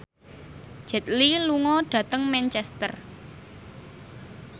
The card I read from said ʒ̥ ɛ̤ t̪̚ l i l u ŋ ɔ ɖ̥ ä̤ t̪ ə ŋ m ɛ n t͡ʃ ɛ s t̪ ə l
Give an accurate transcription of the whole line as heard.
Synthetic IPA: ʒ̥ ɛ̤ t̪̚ l i l u ŋ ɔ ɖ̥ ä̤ t̪ ə ŋ m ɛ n t͡ʃ ɛ s t̪ ə r